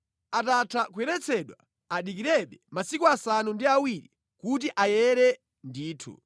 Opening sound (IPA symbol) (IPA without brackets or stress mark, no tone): a